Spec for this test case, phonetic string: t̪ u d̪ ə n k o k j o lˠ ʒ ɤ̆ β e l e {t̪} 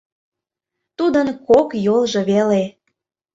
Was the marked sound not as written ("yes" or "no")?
yes